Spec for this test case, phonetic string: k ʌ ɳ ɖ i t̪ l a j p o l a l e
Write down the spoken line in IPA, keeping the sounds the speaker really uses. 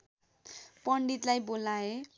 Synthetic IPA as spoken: p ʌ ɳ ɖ i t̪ l a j b o l a e